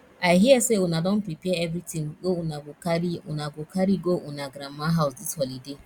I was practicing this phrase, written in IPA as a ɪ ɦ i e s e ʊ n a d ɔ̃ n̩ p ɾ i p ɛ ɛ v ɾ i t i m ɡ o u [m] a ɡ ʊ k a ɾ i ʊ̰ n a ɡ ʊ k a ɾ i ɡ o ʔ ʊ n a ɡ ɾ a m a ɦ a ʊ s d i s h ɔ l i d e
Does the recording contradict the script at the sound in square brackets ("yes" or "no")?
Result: yes